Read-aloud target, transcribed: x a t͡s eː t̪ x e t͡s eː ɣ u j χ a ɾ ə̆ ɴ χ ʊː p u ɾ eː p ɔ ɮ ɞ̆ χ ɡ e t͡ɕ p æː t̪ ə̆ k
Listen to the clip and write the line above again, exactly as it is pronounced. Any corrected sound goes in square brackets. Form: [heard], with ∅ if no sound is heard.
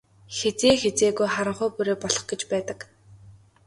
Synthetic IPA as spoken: x [e] t͡s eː [∅] x e t͡s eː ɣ u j χ a ɾ ə̆ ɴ χ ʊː p u ɾ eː p ɔ ɮ ɞ̆ χ ɡ e t͡ɕ p æː t̪ ə̆ k